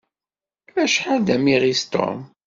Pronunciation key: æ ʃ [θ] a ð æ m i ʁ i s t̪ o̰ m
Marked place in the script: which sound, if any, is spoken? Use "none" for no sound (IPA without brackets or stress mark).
ħ